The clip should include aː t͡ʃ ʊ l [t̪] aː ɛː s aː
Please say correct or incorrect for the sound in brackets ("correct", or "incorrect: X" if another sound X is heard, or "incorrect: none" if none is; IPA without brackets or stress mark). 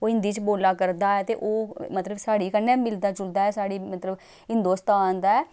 incorrect: d̪